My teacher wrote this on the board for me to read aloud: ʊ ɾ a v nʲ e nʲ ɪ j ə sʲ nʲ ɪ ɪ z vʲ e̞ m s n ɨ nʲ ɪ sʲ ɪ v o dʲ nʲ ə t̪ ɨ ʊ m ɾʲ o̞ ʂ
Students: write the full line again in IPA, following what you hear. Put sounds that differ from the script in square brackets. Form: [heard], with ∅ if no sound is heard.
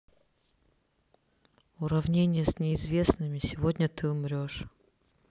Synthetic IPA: ʊ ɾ [ɐ] v nʲ e nʲ ɪ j ə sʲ nʲ ɪ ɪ z vʲ e̞ [∅] s n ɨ [mʲ] ɪ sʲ ɪ v o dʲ nʲ ə t̪ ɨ ʊ m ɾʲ o̞ ʂ